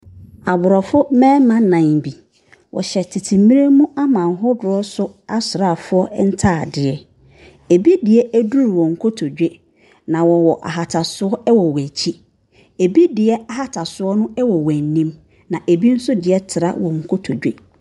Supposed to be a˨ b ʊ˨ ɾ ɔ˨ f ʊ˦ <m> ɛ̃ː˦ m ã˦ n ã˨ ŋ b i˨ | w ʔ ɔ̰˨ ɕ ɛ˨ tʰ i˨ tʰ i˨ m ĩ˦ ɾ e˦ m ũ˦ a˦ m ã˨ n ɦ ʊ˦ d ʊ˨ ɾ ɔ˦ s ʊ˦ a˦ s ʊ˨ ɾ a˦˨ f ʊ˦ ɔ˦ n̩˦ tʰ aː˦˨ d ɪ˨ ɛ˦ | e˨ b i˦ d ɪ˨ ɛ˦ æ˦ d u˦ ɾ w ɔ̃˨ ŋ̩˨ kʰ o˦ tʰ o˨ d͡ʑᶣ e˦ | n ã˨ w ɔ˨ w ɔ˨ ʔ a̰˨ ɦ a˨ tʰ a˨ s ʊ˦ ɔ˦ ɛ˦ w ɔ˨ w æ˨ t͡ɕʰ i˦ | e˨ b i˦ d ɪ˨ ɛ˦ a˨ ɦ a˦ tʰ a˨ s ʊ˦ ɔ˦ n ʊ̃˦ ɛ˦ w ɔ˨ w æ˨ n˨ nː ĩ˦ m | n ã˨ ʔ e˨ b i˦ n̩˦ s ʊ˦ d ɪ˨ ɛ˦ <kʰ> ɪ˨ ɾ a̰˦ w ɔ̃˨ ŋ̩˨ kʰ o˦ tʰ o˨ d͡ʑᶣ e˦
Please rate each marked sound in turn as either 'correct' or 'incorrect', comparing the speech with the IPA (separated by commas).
correct, incorrect